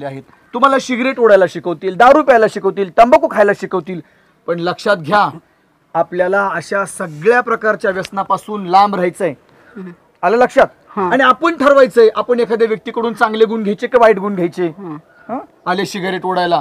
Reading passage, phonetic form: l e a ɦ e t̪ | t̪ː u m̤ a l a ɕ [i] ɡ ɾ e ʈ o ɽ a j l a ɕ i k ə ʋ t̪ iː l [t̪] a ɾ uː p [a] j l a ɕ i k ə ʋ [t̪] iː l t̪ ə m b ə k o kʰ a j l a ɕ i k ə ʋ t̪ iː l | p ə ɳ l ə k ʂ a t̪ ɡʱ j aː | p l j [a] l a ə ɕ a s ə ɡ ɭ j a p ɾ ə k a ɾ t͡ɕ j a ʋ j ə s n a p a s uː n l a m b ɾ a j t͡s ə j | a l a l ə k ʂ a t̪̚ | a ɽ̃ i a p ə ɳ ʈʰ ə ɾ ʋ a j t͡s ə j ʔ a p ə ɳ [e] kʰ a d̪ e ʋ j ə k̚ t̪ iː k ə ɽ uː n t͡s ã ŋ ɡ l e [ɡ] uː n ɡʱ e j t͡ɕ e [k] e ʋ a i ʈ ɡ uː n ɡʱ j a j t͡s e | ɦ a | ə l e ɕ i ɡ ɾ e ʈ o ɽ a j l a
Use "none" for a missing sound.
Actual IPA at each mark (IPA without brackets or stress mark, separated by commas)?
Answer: i, d̪, a, t̪, a, e, ɡ, k